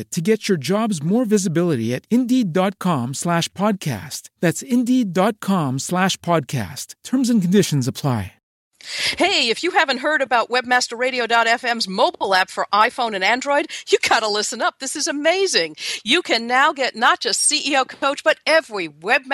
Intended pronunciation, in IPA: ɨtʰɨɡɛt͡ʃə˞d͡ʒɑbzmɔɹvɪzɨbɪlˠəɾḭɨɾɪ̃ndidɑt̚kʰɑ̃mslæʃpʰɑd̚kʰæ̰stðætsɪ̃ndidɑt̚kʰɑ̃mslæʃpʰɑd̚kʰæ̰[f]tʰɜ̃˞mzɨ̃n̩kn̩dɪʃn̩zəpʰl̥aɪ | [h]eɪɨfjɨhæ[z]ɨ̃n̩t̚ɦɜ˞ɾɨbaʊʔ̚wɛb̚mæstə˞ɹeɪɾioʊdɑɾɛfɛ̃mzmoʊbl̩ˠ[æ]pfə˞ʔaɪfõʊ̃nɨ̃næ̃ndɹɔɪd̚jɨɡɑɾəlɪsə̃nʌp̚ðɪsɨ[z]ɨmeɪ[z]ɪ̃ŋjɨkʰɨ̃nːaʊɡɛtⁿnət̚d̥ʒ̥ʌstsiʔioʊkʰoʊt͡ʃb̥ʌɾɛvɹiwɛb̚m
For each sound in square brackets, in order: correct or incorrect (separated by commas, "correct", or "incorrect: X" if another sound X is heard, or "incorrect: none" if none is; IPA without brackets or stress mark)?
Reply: incorrect: s, correct, incorrect: v, correct, correct, correct